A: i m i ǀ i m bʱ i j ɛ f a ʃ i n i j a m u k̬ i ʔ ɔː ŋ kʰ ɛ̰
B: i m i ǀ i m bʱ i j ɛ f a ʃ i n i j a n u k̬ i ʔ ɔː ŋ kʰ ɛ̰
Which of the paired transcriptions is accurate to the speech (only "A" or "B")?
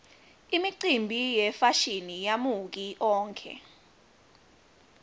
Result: A